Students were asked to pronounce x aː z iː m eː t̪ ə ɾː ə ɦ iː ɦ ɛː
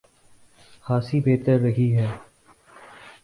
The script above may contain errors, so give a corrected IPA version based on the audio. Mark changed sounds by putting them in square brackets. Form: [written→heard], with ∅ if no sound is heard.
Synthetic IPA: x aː [z→s] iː [m→b] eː t̪ ə ɾː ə ɦ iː ɦ ɛː